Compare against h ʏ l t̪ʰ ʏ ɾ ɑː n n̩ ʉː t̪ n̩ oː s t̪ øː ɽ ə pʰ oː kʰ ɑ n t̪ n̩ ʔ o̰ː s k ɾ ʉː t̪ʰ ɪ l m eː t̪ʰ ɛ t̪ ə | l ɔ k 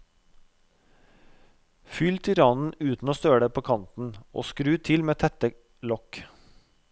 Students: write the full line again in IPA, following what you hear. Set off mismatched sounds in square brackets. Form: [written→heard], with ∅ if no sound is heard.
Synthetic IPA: [h→f] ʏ l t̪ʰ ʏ ɾ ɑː n n̩ ʉː t̪ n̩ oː s t̪ øː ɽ ə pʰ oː kʰ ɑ n t̪ n̩ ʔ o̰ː s k ɾ ʉː t̪ʰ ɪ l m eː t̪ʰ ɛ t̪ ə | l ɔ k